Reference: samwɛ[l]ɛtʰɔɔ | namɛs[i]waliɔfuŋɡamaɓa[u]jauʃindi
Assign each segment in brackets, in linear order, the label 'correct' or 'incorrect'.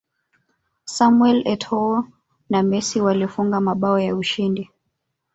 correct, correct, incorrect

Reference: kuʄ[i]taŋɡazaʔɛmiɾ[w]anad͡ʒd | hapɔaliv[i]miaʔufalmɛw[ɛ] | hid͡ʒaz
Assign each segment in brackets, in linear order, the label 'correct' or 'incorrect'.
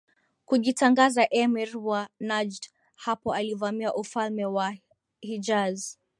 correct, correct, incorrect, incorrect

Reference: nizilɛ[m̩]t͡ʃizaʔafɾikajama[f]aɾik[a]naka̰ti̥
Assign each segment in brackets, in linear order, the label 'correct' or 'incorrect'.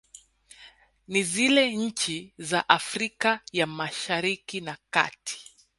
incorrect, incorrect, incorrect

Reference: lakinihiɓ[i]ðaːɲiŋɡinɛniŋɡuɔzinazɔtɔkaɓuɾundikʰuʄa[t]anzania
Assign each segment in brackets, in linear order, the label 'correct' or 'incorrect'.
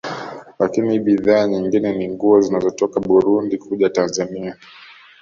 correct, correct

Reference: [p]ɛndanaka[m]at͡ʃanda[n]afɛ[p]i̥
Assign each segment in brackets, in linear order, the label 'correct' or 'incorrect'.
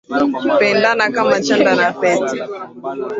correct, correct, correct, incorrect

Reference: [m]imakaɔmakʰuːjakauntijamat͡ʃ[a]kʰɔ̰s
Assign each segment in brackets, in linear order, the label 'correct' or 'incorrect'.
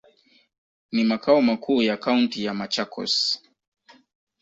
incorrect, correct

